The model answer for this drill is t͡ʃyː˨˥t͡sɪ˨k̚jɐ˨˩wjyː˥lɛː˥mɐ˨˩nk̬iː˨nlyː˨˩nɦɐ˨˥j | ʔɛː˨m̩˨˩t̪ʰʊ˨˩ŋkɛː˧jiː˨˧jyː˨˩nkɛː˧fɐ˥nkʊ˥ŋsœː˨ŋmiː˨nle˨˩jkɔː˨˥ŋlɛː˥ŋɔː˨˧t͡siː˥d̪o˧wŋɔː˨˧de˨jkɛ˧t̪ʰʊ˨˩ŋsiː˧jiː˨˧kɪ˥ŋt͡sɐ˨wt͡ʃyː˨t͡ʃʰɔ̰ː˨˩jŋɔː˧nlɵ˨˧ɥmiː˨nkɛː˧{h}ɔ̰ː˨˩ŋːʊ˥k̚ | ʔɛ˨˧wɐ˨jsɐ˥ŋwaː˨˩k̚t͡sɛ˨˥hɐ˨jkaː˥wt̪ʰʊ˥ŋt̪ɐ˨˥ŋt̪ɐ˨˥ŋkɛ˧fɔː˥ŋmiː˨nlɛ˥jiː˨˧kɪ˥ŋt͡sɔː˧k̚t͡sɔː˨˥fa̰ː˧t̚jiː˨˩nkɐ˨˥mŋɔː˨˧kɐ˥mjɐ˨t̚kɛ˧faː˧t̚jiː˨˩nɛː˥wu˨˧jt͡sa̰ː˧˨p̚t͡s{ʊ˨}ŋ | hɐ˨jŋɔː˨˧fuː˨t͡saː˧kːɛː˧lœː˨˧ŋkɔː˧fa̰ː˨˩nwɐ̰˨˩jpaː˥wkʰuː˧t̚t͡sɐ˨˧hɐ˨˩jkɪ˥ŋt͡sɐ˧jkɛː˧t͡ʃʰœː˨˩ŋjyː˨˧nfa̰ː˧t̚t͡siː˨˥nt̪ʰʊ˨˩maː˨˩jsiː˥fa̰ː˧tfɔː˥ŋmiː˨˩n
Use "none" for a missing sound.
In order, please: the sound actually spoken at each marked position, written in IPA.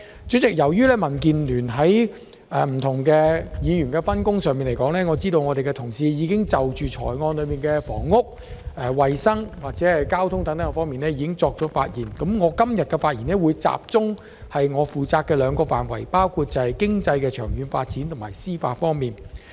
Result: f, ʊ˥

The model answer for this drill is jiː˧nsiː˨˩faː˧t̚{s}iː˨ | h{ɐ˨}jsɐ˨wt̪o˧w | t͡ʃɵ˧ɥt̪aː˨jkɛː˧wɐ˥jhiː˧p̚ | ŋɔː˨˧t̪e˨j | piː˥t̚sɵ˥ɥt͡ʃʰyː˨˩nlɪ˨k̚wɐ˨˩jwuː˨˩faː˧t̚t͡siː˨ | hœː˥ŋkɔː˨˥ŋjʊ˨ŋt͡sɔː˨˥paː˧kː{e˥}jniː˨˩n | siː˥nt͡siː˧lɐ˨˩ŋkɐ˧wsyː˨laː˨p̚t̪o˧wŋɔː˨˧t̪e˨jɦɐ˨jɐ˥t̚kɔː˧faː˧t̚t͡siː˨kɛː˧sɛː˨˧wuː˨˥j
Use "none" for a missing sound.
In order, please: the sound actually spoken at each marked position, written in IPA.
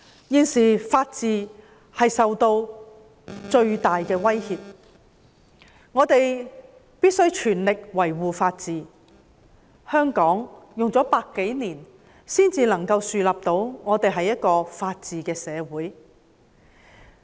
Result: t͡s, ɐ˨, e˨˥

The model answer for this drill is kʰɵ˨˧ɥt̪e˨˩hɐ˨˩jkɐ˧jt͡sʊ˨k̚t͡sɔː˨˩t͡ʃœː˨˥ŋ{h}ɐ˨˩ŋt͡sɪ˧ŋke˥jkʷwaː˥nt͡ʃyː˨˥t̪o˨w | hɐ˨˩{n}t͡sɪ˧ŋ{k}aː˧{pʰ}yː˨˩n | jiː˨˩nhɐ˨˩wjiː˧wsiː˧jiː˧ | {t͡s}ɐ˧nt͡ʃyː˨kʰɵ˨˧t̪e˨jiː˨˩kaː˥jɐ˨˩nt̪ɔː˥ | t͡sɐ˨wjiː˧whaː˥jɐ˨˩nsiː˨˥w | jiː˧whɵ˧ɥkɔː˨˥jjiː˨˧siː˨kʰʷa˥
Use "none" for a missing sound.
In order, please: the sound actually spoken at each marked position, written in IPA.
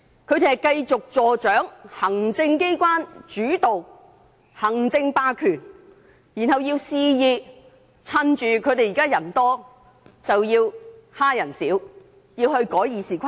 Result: h, ŋ, p, kʰ, t͡sʰ

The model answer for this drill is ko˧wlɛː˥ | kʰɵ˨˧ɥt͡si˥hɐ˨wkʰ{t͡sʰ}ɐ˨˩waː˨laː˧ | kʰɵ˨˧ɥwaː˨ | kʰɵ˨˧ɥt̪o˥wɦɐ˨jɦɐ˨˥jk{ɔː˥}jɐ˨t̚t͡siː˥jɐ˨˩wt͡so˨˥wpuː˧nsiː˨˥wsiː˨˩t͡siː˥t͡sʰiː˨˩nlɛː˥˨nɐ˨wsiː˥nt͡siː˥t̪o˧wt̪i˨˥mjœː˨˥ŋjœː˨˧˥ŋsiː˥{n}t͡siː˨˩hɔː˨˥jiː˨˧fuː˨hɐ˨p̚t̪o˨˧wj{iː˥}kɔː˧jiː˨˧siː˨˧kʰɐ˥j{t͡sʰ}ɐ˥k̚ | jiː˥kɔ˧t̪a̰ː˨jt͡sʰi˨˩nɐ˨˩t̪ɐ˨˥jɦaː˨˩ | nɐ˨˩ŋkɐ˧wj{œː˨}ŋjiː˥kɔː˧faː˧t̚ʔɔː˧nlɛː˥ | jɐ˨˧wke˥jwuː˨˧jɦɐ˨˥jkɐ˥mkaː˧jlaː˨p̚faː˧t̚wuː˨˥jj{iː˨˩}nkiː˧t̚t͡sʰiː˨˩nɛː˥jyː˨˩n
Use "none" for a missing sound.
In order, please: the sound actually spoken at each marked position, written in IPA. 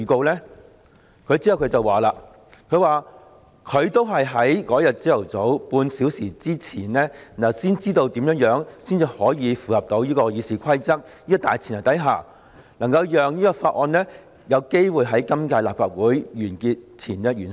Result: t͡s, ɔː˨˥, n, iː˥, t͡s, œː˨, yː˨˩

